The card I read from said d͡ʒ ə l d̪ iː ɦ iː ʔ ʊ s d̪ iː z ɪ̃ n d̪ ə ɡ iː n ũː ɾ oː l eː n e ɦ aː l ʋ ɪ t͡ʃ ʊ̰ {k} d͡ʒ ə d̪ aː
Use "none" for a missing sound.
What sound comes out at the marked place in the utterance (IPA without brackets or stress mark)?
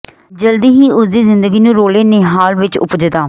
p